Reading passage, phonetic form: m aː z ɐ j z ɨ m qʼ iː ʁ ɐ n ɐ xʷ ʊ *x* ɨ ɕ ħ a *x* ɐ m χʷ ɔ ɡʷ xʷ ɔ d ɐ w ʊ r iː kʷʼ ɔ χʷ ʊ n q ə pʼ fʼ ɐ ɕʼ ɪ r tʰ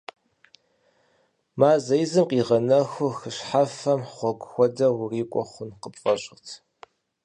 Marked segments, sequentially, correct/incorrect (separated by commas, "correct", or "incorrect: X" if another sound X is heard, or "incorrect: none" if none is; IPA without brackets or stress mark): correct, incorrect: f